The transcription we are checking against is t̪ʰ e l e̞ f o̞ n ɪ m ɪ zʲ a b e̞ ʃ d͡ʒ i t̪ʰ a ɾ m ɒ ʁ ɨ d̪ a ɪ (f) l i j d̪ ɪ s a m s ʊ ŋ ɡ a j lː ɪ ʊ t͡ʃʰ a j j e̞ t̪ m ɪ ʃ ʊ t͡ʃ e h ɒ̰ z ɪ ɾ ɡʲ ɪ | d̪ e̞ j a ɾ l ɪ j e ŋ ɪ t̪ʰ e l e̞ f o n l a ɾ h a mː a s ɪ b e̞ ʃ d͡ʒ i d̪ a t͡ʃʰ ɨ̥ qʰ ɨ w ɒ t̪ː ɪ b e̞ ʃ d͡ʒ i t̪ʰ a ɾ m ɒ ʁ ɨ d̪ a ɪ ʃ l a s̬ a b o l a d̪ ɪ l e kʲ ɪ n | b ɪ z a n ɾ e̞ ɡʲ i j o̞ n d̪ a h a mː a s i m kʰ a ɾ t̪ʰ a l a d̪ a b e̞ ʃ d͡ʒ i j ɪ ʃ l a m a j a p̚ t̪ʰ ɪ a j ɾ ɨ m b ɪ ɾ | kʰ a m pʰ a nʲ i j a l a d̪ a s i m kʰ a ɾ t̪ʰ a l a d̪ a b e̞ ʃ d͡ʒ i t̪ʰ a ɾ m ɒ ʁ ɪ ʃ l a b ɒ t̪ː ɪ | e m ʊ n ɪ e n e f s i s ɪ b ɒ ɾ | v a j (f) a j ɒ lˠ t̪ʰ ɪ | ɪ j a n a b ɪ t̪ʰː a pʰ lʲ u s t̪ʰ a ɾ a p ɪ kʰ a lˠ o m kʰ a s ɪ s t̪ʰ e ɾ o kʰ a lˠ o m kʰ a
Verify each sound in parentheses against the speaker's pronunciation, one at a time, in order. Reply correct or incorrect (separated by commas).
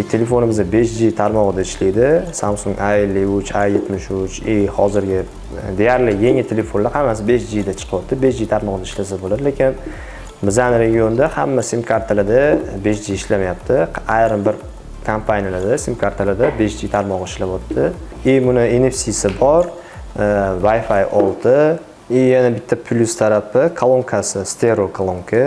incorrect, correct